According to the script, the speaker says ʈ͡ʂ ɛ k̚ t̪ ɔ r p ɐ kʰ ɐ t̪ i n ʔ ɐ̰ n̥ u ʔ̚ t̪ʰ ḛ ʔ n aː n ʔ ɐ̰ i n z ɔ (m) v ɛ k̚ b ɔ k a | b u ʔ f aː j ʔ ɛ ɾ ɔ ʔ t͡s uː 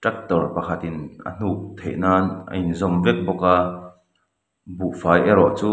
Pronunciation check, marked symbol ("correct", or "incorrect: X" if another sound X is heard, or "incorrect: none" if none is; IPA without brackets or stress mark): correct